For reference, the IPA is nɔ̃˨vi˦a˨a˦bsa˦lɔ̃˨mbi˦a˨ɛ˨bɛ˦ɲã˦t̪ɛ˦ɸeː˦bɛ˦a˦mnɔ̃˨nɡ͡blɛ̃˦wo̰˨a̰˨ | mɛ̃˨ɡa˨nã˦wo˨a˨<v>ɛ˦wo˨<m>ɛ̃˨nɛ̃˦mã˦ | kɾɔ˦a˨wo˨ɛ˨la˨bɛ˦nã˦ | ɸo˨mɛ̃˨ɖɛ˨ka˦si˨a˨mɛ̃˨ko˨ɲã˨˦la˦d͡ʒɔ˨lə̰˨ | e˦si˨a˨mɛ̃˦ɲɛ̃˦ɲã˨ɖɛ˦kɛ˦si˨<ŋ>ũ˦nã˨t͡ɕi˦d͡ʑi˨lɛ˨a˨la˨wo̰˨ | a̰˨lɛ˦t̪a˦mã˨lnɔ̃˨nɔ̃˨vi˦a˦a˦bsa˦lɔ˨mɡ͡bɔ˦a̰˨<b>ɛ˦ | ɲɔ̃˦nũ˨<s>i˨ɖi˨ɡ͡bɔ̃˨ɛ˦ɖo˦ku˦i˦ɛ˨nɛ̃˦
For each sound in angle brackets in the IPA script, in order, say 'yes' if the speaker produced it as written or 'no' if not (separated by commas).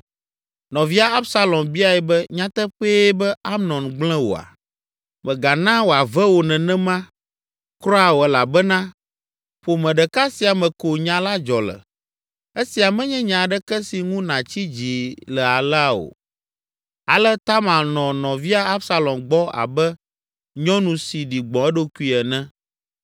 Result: yes, no, yes, yes, yes